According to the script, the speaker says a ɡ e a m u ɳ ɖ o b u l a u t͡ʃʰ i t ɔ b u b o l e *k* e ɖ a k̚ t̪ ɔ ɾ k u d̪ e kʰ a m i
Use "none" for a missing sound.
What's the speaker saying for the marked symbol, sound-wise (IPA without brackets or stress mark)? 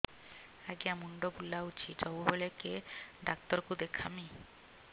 k